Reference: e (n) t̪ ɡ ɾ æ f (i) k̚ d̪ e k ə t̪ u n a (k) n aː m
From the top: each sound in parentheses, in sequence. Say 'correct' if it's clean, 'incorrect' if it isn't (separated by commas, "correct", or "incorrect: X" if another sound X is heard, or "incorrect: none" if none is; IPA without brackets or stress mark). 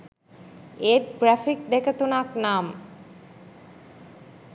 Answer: incorrect: none, correct, correct